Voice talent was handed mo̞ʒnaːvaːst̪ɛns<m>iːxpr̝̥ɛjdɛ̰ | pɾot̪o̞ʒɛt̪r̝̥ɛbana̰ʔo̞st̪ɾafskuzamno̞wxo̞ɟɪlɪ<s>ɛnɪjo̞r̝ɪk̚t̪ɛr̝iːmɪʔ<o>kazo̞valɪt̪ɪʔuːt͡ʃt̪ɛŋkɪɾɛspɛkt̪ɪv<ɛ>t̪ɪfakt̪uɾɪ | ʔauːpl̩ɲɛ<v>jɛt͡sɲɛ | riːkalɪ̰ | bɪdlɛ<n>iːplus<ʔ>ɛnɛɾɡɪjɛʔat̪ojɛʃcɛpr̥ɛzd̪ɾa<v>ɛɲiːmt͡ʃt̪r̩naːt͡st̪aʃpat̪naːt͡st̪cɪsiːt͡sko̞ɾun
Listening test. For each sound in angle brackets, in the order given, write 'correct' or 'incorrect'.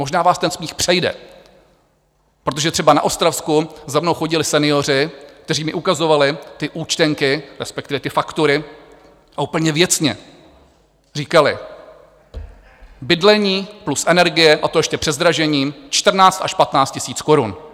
correct, correct, incorrect: u, correct, correct, incorrect: ɲ, correct, incorrect: ʒ

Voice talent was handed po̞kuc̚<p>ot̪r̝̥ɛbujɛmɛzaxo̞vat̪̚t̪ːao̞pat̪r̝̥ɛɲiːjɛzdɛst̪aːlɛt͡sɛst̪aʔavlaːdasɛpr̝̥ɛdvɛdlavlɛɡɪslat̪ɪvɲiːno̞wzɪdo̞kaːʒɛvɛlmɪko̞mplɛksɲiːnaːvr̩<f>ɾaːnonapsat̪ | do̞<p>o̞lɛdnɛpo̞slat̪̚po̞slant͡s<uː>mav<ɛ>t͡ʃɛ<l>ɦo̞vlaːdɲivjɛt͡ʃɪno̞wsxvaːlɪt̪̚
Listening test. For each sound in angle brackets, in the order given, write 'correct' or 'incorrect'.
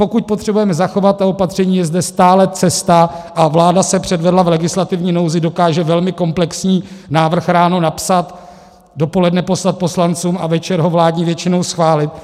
correct, incorrect: x, correct, correct, correct, incorrect: ɾ

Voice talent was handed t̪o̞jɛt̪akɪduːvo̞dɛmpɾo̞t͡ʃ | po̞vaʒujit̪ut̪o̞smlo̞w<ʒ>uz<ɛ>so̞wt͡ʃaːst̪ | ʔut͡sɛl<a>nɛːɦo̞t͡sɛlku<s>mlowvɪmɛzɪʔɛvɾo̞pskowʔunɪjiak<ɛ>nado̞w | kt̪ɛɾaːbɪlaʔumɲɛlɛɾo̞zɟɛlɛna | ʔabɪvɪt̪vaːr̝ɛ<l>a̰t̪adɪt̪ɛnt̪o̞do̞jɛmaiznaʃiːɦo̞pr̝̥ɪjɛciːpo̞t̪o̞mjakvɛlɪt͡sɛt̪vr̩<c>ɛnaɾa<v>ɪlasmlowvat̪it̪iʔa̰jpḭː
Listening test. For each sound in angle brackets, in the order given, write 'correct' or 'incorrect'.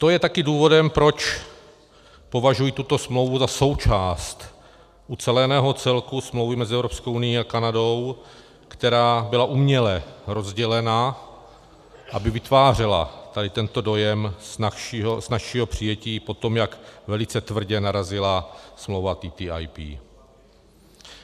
incorrect: v, incorrect: a, incorrect: ɛ, correct, incorrect: a, correct, incorrect: ɟ, incorrect: z

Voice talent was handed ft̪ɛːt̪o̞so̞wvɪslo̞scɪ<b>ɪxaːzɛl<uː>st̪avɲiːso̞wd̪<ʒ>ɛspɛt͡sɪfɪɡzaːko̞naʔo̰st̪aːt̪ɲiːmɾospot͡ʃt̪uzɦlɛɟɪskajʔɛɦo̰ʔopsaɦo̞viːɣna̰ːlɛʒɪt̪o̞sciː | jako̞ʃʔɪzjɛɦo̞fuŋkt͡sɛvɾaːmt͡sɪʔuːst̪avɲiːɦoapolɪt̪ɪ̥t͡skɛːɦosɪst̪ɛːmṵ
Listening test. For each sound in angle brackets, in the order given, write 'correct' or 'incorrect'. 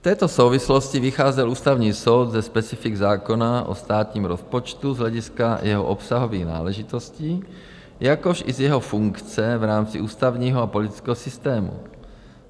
incorrect: v, correct, incorrect: z

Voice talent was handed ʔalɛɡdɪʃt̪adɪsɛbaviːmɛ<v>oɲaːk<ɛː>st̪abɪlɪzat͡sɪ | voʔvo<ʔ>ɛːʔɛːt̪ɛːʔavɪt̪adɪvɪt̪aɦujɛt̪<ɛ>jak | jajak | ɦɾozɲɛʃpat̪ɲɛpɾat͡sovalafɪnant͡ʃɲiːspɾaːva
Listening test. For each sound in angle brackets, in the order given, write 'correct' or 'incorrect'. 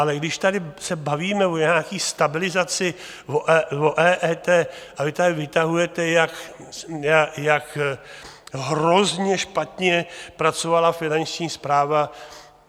correct, incorrect: iː, correct, correct

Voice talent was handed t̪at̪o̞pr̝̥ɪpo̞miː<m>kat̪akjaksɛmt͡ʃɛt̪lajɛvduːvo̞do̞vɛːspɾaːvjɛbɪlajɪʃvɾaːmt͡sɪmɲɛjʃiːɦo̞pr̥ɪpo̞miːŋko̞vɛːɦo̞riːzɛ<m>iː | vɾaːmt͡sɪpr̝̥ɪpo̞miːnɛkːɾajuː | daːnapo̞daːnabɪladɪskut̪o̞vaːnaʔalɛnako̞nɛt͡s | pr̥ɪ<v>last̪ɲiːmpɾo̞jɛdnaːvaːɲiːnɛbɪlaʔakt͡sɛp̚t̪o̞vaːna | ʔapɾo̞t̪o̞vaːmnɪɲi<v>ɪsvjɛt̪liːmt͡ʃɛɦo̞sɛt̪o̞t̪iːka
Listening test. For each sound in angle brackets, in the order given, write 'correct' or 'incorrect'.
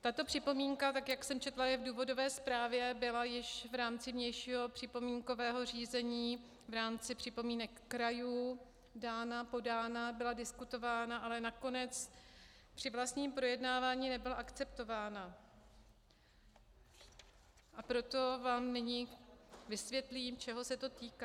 incorrect: ŋ, incorrect: ɲ, correct, correct

